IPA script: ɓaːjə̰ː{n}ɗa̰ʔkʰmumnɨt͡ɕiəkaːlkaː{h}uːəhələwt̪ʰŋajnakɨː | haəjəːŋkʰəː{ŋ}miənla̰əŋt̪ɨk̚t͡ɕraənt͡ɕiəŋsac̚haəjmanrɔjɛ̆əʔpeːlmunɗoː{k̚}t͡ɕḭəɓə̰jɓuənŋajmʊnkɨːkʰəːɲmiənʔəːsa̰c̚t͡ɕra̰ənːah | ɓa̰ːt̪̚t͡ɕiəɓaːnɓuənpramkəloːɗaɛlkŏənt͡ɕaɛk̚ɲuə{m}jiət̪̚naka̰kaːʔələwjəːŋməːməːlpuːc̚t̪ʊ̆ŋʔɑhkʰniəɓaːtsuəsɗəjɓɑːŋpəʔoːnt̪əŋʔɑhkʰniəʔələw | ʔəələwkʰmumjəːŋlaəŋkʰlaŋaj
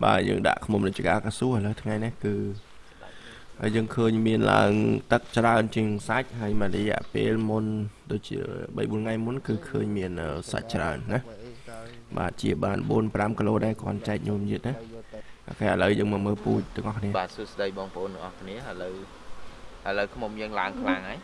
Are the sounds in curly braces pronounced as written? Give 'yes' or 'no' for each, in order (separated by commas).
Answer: no, no, no, no, yes